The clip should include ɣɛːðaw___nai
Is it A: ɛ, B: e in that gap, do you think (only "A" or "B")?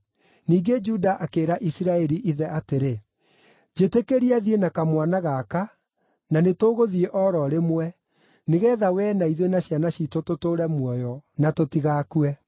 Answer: A